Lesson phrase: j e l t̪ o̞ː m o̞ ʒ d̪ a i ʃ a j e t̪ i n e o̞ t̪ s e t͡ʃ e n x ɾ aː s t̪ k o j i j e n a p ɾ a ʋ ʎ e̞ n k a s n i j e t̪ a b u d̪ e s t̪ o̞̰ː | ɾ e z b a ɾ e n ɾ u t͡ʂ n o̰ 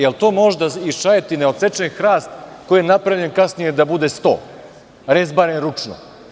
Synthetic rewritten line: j e l t̪ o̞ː m o̞ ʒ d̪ a i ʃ a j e t̪ i n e o̞ t̪ s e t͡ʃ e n x ɾ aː s t̪ k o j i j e n a p ɾ a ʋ ʎ e̞ n k a s n i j e d̪ a b u d̪ e s t̪ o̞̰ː | ɾ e z b a ɾ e n ɾ u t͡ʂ n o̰